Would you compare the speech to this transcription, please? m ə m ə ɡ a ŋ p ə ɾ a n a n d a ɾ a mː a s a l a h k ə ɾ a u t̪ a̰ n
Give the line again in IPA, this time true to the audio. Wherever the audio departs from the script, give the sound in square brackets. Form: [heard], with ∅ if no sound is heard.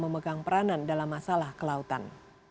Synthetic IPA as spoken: m ə m ə ɡ a ŋ p ə ɾ a n a n d a [l] a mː a s a l a h k ə [l] a u t̪ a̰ n